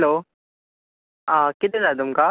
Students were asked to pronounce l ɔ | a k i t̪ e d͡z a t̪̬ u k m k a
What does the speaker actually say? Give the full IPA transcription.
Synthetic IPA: l o | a k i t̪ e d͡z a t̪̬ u m k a